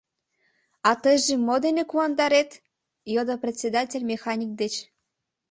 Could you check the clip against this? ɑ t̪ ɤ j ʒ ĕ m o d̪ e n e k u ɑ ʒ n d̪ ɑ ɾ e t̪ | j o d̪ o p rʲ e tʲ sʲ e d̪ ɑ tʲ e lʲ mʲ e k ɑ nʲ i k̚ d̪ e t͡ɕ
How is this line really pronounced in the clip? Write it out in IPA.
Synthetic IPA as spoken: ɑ t̪ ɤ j ʒ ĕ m o d̪ e n e k u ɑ n d̪ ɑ ɾ e t̪ | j o d̪ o p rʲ e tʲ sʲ e d̪ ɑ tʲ e lʲ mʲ e x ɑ nʲ i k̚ d̪ e t͡ɕ